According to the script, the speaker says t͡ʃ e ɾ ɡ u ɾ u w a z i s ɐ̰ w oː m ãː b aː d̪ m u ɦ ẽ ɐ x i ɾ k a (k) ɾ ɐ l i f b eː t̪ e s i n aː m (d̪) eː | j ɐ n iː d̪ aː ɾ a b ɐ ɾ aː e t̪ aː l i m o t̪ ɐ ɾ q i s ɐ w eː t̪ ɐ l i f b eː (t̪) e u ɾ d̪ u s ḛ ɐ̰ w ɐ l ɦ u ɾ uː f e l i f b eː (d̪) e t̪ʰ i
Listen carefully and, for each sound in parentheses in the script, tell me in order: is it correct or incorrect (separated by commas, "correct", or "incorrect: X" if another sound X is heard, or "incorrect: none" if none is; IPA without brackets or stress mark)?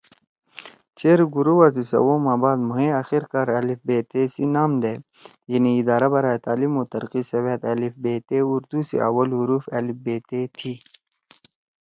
incorrect: none, correct, correct, incorrect: t̪